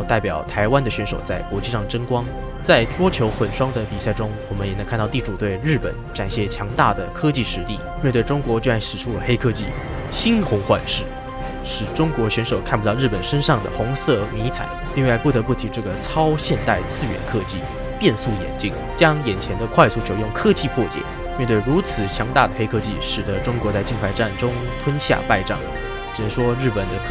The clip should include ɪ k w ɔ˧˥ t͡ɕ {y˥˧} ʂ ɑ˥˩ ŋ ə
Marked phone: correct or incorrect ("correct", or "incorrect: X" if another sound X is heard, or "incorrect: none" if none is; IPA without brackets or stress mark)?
incorrect: i˥˧